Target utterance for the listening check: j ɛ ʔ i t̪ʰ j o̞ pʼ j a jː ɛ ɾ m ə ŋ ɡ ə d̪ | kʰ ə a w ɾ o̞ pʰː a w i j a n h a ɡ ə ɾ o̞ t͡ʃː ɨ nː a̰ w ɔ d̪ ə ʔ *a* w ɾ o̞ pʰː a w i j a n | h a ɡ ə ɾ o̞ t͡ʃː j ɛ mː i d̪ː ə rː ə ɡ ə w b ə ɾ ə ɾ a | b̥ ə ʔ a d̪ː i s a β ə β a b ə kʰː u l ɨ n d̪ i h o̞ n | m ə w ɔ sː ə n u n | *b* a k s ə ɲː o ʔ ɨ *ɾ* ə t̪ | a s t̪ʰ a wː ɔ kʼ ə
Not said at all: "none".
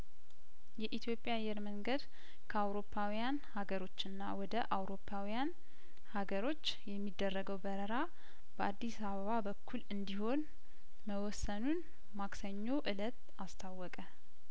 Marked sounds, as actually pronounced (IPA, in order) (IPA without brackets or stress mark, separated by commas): a, m, l